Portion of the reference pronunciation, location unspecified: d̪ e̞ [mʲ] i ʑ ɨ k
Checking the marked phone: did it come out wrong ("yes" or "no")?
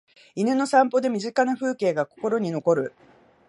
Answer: no